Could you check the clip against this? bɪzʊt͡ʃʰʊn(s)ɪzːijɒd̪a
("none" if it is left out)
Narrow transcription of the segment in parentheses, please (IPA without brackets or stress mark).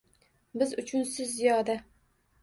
s